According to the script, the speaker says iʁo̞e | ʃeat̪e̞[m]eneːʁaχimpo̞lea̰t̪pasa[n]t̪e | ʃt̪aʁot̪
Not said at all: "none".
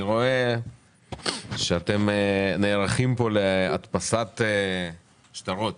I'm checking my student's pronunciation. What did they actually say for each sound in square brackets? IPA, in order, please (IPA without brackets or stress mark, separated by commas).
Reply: m, none